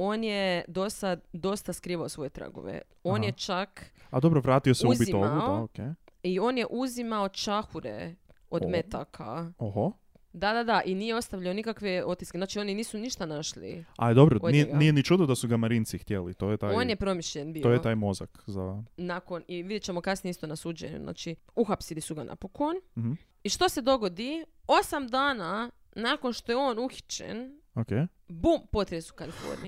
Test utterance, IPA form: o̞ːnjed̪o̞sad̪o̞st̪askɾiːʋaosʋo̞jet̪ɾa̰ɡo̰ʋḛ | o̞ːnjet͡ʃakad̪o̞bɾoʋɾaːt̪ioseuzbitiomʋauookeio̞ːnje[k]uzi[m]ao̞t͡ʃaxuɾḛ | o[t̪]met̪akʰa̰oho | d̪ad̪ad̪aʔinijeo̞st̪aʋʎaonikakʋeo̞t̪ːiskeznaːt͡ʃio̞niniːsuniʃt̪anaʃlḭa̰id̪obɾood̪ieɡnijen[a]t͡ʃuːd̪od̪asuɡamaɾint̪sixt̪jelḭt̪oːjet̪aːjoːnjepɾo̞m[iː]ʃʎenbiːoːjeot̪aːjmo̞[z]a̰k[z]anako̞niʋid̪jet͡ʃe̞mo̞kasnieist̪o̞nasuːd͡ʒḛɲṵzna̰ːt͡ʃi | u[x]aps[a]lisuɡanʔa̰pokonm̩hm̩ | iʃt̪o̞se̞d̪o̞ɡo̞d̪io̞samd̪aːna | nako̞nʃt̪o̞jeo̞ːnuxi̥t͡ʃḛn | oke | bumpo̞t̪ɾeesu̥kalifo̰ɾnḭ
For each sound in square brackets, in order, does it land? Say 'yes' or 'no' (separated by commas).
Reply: no, yes, no, no, no, yes, yes, yes, no